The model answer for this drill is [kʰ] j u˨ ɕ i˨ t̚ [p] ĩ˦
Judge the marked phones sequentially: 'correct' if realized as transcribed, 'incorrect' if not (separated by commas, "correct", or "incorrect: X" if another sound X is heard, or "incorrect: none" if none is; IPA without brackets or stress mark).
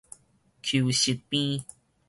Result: correct, correct